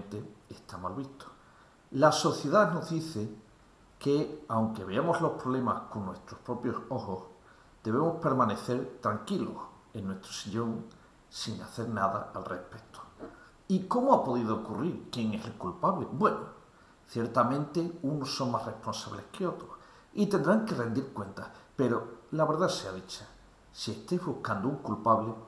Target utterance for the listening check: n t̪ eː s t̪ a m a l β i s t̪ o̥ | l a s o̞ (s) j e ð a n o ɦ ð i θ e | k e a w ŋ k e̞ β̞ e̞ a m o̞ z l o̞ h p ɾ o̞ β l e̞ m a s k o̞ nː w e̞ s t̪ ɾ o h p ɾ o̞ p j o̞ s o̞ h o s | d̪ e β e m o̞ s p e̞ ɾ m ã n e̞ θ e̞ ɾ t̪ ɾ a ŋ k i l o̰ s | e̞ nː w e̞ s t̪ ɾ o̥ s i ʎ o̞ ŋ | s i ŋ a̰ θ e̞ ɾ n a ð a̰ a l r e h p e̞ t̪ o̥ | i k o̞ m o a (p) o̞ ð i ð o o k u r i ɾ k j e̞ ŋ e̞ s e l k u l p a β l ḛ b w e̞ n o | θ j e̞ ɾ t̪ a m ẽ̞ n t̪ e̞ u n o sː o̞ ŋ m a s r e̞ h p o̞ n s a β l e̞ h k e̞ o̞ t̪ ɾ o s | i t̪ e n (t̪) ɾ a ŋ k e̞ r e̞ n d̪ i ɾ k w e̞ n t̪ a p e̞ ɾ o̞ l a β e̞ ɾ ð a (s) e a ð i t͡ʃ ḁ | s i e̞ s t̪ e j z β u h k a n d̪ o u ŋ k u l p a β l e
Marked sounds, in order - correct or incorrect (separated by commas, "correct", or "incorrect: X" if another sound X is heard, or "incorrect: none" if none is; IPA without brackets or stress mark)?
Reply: incorrect: θ, correct, incorrect: d̪, correct